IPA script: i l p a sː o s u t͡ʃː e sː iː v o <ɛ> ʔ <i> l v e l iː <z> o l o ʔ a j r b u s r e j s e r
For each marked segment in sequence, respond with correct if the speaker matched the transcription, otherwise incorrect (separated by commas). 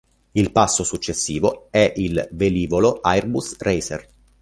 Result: correct, correct, incorrect